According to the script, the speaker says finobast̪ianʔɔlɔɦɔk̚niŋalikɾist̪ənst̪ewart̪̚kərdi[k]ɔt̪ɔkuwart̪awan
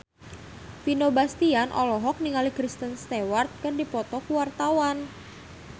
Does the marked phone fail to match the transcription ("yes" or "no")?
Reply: yes